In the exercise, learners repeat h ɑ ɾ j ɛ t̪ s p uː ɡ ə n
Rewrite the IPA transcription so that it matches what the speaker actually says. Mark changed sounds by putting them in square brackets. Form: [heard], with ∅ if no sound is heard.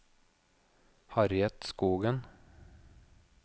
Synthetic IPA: h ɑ ɾ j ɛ t̪ s [k] uː ɡ ə n